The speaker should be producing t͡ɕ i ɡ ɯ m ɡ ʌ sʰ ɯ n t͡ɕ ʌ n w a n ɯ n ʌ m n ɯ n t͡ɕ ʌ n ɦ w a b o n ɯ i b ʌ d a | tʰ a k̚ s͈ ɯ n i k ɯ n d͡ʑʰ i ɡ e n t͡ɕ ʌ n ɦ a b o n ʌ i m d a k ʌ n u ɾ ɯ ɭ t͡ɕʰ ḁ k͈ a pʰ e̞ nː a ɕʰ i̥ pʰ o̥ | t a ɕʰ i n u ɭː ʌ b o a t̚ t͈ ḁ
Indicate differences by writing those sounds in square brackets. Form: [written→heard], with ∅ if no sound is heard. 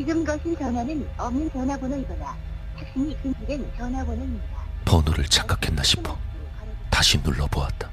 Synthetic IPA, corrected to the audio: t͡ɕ i ɡ ɯ m ɡ ʌ sʰ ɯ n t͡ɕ ʌ n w a n ɯ n ʌ m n ɯ n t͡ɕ ʌ n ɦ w a b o n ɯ i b ʌ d a | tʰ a k̚ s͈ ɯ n i k ɯ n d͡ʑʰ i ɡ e n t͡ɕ ʌ n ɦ a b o n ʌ i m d a [k→p] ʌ n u ɾ ɯ ɭ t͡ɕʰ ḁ k͈ a [pʰ→kʰ] e̞ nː a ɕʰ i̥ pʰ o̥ | t a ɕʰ i n u ɭː ʌ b o a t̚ t͈ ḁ